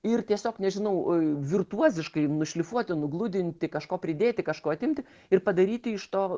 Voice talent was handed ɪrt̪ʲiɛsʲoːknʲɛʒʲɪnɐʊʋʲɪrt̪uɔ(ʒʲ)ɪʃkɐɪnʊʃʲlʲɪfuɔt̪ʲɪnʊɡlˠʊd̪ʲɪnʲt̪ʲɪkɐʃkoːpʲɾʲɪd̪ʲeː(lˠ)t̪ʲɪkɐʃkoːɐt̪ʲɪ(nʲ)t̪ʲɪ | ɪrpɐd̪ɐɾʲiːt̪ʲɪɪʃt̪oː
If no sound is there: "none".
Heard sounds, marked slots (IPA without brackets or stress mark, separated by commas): zʲ, none, mʲ